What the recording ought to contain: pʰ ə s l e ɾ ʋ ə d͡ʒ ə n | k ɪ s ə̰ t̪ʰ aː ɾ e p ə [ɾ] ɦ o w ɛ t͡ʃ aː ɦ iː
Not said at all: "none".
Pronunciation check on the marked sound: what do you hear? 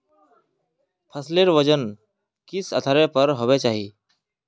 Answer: ɾ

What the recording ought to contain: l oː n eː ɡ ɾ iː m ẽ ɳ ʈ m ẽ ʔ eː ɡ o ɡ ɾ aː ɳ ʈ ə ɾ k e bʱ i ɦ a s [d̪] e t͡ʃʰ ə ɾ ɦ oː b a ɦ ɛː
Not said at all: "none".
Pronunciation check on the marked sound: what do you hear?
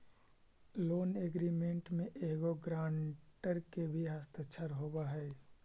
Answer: t̪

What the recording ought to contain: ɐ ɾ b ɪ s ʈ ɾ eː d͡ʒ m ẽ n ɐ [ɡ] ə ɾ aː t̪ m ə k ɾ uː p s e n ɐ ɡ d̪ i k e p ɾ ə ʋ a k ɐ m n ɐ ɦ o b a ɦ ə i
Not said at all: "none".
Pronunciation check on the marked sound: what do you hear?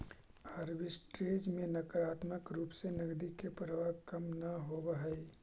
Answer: k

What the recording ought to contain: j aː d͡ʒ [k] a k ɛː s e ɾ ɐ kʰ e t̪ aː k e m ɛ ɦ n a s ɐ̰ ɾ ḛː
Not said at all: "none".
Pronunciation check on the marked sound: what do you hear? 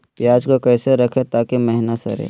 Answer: k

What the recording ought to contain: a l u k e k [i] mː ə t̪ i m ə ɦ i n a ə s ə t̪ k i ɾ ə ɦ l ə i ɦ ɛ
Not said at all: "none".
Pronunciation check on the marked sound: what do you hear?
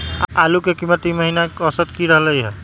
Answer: i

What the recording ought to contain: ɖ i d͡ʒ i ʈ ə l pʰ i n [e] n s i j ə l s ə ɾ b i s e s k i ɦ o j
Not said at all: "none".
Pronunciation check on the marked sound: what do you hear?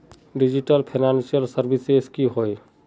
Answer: a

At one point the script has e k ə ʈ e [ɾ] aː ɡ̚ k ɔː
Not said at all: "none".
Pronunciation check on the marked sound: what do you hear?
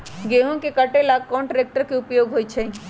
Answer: l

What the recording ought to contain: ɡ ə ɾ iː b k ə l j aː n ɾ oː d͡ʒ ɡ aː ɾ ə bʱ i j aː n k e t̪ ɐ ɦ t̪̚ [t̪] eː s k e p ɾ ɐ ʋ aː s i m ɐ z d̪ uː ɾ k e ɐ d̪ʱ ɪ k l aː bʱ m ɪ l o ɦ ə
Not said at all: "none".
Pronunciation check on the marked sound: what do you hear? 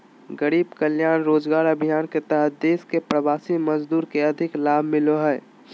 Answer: d̪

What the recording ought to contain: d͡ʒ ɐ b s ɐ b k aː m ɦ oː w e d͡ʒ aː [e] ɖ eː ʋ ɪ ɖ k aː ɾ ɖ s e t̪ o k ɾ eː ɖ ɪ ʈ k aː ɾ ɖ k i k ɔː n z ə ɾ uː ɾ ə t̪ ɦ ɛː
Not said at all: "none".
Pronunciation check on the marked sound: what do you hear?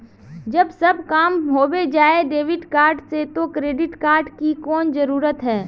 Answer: e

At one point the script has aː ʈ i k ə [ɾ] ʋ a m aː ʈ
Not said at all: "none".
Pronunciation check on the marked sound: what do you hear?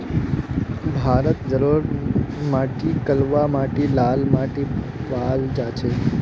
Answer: l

